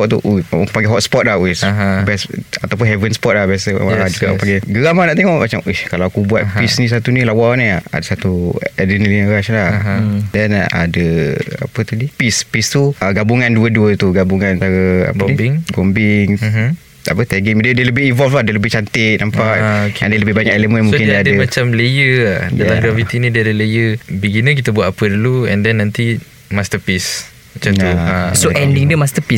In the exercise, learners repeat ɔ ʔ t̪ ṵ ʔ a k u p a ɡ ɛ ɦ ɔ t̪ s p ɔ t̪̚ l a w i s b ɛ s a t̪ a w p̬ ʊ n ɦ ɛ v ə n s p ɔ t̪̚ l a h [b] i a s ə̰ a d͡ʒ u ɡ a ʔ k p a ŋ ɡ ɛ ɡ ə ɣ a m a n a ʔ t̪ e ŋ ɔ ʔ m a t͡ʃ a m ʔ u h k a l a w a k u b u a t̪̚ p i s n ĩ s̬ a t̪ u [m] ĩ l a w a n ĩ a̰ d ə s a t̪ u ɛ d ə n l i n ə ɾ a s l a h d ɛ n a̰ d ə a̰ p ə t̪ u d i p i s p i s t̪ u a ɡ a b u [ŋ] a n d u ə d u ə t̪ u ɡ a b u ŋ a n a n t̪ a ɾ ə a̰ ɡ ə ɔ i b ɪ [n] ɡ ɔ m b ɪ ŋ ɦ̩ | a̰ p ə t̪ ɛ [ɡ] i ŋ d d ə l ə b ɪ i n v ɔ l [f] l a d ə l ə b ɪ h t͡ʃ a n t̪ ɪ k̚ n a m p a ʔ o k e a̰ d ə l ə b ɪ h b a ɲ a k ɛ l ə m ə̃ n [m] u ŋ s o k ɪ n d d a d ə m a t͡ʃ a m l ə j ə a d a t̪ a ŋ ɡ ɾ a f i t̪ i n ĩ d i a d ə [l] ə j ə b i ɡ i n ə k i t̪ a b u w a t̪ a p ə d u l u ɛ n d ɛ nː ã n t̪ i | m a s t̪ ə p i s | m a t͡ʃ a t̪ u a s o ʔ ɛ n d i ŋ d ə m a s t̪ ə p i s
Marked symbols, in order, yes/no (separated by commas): yes, no, yes, no, yes, yes, yes, yes